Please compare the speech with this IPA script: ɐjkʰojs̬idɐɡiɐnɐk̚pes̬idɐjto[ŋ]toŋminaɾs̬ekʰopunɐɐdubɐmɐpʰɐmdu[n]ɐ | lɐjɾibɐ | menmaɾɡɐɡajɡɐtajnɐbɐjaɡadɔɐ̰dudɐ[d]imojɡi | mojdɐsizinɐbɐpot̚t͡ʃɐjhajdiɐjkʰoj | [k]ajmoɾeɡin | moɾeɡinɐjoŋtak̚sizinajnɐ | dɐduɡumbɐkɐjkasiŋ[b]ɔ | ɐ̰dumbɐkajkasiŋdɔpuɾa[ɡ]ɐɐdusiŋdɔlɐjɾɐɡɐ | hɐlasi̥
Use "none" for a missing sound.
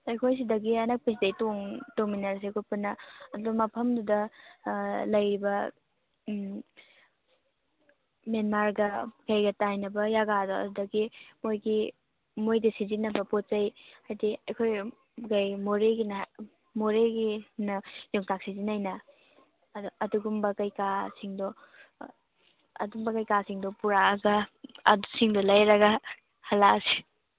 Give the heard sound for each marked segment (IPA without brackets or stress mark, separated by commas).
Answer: ŋ, d, ɡ, ɡ, d, ɡ